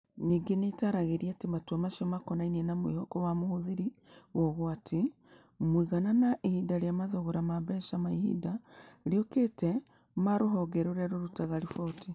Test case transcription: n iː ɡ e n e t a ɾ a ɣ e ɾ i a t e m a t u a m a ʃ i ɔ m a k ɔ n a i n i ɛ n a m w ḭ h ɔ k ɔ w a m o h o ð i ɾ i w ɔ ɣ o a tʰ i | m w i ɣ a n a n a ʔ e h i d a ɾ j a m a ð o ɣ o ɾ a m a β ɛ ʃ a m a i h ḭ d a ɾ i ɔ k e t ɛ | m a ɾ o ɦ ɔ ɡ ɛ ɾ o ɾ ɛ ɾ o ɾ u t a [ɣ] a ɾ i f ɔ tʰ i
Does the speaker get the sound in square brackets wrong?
no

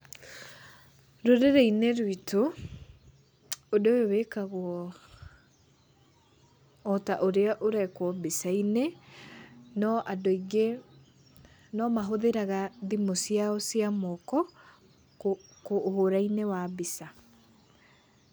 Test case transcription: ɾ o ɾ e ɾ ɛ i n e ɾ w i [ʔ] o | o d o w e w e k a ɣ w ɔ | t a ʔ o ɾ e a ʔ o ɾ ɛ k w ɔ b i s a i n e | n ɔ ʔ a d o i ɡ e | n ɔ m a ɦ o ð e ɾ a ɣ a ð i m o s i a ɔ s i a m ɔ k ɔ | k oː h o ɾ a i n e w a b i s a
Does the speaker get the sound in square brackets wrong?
yes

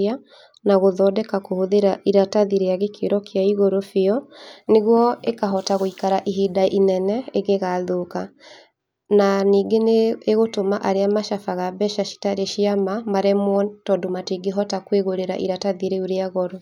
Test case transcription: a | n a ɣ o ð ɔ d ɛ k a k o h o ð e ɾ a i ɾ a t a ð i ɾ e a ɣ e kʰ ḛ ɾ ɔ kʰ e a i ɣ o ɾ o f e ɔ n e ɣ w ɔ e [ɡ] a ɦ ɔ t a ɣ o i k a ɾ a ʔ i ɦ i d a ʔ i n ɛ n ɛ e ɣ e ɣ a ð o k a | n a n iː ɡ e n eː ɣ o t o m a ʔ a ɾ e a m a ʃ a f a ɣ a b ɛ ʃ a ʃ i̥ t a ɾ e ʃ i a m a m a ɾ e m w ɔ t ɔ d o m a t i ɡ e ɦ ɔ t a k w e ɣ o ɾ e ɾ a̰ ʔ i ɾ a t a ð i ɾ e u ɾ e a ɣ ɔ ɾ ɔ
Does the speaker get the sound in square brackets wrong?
yes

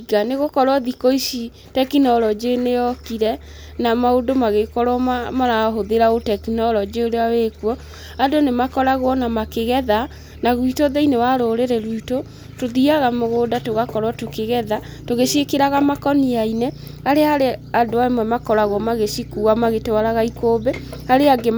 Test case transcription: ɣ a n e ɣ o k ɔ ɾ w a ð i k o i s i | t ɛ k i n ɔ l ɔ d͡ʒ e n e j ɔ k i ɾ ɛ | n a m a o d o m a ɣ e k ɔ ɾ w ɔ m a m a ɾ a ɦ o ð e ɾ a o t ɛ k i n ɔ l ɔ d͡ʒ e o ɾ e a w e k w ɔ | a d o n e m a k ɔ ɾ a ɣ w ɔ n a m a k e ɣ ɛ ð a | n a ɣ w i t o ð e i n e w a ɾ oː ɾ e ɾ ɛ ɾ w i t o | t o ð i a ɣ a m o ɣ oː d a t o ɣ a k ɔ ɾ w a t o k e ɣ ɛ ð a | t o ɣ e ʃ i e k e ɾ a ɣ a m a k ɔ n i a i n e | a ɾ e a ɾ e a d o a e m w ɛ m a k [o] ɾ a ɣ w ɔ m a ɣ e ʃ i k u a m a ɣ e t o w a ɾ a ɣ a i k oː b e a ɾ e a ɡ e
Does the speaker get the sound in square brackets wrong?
yes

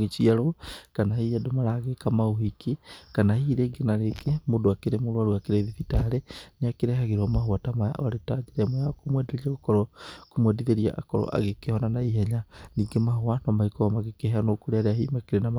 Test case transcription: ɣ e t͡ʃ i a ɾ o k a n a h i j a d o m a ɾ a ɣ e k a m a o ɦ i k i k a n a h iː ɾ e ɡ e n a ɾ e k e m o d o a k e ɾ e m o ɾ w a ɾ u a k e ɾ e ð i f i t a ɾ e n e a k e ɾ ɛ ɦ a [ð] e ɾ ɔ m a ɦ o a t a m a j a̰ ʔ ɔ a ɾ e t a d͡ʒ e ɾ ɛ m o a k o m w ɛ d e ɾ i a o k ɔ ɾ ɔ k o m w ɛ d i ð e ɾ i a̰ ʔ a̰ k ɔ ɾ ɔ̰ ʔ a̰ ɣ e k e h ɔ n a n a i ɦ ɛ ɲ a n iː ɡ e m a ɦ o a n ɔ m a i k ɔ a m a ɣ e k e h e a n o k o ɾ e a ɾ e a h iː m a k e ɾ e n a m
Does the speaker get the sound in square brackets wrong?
yes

